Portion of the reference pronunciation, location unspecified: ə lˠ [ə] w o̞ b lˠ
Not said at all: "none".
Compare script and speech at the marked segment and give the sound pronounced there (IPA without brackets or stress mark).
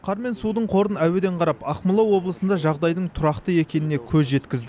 ɑ